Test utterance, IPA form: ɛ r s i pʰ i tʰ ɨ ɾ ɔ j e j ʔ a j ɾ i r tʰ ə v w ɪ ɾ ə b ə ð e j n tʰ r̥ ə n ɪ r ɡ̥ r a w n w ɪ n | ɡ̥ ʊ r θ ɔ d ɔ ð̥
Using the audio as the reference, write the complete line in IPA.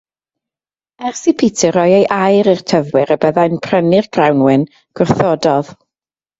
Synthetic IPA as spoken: ɛ r s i pʰ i tʰ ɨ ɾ ɔ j e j ʔ a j ɾ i r tʰ ə v w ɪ ɾ ə b ə ð a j n pʰ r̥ ə n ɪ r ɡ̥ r a w n w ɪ n | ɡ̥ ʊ r θ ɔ d ɔ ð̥

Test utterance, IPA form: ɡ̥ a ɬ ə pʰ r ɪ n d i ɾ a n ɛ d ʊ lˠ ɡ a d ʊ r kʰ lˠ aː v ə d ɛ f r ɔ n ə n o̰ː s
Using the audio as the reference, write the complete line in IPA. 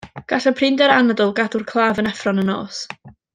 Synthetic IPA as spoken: ɡ̥ a ɬ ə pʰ r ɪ n d ɛ ɾ a n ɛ d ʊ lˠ ɡ a d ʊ r kʰ lˠ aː v ə n ɛ f r ɔ n ə n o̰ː s

